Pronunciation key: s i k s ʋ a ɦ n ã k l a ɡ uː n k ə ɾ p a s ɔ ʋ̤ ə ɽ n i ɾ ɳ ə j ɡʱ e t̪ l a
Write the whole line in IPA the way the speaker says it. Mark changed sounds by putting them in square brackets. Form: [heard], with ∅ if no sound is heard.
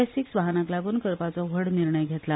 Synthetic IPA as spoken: s i k s ʋ a ɦ n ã k l a ɡ uː n k ə ɾ p a [t͡s] ɔ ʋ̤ ə ɽ n i ɾ ɳ ə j ɡʱ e t̪ l a